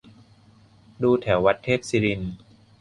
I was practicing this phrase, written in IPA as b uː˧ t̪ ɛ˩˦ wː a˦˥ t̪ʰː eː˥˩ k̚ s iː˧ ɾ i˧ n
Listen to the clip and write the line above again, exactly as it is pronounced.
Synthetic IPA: d uː˧ t̪ʰ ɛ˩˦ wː a˦˥ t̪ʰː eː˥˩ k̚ s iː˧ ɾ i˧ n